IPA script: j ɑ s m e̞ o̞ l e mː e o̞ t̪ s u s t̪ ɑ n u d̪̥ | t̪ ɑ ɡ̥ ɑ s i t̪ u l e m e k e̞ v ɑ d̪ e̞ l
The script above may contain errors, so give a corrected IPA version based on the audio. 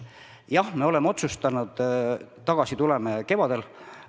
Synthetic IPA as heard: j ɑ h m e̞ o̞ l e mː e o̞ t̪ s u s t̪ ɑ n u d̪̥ | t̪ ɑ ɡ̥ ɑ s i t̪ u l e m e k e̞ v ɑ d̪ e̞ l